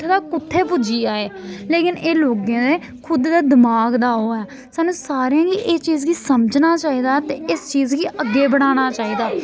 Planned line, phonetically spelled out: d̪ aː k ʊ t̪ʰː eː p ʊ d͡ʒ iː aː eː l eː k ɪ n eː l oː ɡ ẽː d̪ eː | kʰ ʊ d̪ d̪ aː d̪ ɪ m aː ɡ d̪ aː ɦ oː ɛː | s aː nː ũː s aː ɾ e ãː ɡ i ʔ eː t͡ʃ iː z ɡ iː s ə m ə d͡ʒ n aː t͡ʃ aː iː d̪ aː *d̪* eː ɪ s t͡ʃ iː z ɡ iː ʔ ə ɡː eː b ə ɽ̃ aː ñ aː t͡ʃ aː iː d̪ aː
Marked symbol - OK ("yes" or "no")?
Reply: no